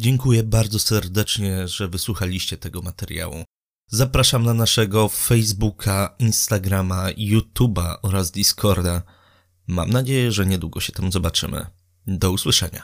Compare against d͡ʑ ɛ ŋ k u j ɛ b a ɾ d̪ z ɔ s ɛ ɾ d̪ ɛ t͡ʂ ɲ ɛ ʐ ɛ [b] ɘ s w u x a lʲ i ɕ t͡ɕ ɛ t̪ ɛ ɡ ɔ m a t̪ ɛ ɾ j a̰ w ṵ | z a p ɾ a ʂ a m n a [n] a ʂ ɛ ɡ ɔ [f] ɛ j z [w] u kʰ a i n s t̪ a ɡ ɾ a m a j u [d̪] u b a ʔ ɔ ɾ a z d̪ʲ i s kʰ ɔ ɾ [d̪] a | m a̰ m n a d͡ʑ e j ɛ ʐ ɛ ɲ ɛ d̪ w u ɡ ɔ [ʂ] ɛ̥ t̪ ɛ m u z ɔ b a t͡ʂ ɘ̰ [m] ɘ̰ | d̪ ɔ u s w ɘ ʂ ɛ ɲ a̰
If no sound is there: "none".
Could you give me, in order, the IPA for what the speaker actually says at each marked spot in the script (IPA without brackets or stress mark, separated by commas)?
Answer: v, n, f, b, t̪, d̪, ɕ, m